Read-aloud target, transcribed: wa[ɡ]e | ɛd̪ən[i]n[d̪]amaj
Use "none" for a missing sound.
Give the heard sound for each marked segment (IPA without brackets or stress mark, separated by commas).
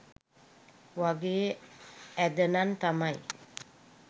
ɡ, a, t̪